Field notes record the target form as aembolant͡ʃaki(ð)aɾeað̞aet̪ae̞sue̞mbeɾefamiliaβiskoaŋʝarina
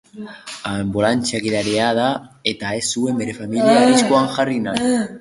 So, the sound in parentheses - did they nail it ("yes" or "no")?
yes